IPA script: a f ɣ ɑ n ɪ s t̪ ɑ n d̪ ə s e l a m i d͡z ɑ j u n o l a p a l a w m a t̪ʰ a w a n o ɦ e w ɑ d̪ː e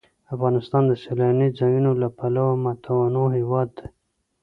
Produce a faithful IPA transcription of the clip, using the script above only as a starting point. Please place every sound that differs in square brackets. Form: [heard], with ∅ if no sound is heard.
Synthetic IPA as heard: a f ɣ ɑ n ɪ s t̪ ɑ n d̪ ə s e l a [n] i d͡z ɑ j u n o l a p a l a w m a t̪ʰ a w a n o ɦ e w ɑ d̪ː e